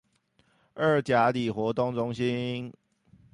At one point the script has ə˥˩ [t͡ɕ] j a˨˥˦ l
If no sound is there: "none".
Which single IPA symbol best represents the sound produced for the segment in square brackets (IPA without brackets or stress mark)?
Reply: t͡ɕ